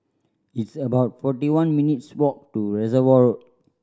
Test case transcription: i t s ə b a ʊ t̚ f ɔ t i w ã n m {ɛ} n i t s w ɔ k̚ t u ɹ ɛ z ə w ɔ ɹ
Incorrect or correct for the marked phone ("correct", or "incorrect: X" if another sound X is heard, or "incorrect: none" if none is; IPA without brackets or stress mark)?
incorrect: i